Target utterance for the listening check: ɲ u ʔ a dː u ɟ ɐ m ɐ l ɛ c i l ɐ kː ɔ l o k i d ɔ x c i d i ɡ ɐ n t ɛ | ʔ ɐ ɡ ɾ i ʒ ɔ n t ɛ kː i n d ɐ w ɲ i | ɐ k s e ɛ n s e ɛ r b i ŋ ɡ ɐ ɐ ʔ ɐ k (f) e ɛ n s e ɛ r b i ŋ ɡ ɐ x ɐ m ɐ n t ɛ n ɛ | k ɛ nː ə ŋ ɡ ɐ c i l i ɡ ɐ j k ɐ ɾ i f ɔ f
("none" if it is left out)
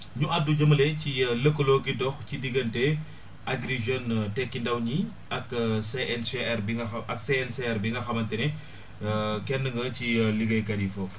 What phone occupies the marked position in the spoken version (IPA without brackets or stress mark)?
s